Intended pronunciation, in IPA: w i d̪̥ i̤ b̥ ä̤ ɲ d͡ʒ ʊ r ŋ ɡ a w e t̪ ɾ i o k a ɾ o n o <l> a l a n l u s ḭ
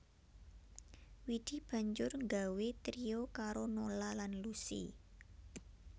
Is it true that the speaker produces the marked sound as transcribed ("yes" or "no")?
yes